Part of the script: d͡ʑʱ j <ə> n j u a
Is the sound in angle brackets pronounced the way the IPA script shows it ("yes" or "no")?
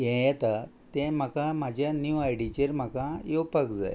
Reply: no